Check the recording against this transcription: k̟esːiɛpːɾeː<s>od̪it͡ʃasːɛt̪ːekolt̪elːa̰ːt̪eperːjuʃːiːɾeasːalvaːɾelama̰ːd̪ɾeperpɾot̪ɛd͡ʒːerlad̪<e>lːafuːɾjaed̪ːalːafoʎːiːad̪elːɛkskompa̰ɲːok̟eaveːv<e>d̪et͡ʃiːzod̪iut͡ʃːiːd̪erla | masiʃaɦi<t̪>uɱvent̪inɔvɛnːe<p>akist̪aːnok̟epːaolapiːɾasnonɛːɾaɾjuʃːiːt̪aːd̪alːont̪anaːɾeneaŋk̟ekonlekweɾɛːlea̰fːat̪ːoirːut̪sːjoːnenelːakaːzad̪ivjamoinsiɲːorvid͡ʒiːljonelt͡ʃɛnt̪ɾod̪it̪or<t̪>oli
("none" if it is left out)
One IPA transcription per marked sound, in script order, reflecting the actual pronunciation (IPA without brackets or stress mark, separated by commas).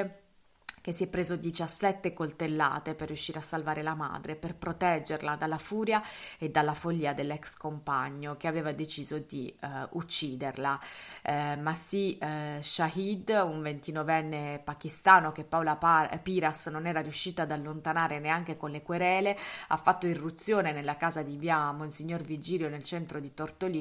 z, a, a, d̪, p, t̪